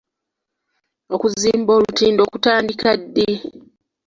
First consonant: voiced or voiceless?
voiceless